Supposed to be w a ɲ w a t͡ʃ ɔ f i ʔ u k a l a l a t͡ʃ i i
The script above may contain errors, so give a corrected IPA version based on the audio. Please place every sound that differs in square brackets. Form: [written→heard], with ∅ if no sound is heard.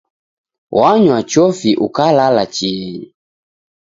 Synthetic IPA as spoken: w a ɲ w a t͡ʃ ɔ f i ʔ u k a l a l a t͡ʃ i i